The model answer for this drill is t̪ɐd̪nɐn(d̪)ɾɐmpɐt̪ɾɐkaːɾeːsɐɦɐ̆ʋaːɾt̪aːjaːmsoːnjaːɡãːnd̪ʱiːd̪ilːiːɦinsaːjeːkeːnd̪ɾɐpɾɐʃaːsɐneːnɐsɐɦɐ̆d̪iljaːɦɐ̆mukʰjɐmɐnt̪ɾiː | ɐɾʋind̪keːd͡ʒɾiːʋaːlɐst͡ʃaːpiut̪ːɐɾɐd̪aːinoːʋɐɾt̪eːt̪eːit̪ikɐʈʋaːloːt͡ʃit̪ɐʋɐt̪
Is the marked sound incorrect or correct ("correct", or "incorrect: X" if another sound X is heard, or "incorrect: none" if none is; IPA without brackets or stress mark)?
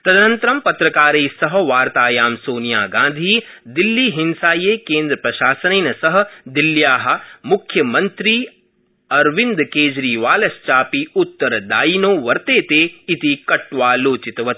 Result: incorrect: t̪